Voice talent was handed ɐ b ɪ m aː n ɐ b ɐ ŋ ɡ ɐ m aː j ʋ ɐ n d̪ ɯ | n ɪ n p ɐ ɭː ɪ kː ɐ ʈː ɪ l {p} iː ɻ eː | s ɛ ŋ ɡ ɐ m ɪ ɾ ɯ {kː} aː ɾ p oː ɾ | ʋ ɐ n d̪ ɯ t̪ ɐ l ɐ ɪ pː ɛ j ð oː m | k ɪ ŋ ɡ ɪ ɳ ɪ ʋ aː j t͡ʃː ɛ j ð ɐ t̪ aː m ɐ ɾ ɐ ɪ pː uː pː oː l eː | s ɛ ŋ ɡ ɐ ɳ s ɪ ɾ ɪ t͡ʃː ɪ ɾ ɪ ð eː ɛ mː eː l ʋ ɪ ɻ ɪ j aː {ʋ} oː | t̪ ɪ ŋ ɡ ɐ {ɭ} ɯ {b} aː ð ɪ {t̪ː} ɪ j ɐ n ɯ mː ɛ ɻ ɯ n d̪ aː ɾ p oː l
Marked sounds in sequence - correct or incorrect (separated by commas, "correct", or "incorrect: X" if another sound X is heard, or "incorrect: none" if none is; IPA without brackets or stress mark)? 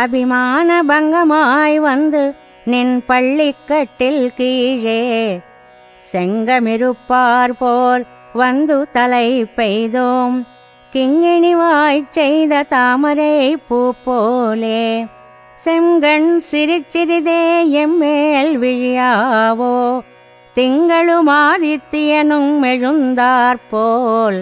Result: incorrect: k, incorrect: pː, correct, correct, incorrect: m, correct